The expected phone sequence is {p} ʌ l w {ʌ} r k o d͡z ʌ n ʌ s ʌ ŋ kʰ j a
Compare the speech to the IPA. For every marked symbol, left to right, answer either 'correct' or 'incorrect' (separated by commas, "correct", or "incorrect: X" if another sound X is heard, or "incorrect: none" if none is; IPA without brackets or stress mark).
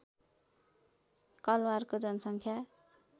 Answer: incorrect: k, incorrect: a